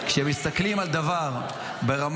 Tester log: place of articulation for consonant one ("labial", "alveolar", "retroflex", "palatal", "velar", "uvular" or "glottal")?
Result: velar